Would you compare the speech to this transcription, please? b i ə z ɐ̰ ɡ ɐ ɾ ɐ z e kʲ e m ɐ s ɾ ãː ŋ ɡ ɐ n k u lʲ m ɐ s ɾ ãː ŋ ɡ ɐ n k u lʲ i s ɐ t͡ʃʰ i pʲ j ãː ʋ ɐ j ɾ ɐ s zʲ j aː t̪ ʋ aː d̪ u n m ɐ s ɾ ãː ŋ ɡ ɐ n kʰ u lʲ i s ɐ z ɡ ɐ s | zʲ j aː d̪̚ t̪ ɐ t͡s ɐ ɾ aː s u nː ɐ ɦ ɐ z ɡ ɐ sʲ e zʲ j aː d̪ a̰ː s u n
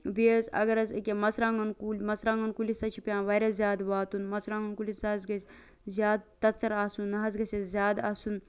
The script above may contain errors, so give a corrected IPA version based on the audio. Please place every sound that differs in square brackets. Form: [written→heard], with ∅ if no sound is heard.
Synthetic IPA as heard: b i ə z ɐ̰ ɡ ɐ ɾ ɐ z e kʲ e m ɐ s ɾ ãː ŋ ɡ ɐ n k u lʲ m ɐ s ɾ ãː ŋ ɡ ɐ n k u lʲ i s ɐ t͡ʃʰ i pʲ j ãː ʋ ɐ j ɾ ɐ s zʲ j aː [t̪→d̪] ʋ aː [d̪→t̪] u n m ɐ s ɾ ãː ŋ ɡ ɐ n [kʰ→k] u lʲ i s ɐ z ɡ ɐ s | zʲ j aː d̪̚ t̪ ɐ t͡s ɐ ɾ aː s u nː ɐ ɦ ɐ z ɡ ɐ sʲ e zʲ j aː d̪ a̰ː s u n